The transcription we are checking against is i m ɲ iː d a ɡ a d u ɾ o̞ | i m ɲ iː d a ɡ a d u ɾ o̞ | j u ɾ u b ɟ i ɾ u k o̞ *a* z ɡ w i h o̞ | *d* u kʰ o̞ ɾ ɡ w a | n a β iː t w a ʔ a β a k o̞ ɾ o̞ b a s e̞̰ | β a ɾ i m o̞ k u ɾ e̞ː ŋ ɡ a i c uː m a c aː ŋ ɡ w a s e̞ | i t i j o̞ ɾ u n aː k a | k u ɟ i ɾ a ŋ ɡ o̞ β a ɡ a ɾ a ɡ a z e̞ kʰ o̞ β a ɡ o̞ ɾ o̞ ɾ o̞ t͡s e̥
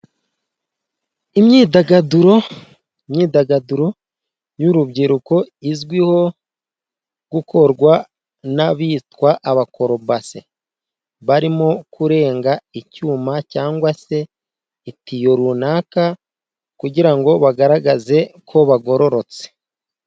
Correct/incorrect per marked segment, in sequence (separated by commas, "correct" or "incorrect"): incorrect, incorrect